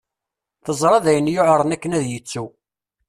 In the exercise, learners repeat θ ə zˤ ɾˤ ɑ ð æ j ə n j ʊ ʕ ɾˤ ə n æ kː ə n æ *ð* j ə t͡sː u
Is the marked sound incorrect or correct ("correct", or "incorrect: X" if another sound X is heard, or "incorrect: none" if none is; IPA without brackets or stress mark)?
correct